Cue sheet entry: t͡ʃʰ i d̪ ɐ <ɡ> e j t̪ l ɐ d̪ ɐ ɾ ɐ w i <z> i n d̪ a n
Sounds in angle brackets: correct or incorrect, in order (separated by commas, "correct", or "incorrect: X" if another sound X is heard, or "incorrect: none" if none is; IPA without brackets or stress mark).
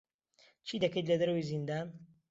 incorrect: k, correct